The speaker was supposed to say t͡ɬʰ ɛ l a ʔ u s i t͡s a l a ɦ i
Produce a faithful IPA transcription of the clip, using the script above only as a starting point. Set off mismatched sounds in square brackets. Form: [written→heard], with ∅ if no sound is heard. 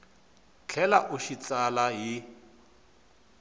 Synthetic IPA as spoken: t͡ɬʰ ɛ l a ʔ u [s→ʃ] i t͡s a l a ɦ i